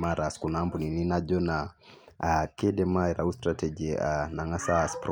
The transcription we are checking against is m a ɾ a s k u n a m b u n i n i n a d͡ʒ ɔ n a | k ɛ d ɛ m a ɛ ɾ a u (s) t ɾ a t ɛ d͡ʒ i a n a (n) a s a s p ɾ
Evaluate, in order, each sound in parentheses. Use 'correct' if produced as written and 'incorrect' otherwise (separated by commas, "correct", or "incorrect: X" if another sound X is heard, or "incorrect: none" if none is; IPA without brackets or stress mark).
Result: correct, incorrect: ŋ